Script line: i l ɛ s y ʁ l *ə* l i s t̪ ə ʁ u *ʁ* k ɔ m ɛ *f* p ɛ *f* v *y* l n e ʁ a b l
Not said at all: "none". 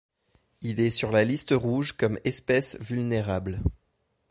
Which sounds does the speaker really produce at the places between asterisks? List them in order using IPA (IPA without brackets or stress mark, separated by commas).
a, ʒ, s, s, y